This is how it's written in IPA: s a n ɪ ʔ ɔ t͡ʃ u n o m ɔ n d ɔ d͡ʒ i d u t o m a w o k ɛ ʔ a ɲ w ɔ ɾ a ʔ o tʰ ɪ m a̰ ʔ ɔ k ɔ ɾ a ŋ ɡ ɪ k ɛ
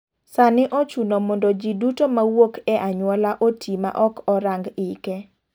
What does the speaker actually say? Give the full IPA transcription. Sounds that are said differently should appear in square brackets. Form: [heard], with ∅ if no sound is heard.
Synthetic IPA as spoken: s a n ɪ ʔ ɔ t͡ʃ u n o m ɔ n d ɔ d͡ʒ i d u t o m a w o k ɛ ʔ a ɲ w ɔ [l] a ʔ o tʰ [i] m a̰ ʔ ɔ k ɔ ɾ a ŋ ɡ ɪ k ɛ